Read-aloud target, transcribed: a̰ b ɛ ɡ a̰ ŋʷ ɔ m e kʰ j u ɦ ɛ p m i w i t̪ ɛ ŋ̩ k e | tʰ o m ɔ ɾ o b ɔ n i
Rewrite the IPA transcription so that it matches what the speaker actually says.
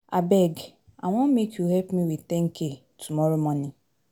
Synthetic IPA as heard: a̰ b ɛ ɡ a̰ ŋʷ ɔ m e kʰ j u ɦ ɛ p m i w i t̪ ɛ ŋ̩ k e | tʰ u m ɔ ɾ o m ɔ n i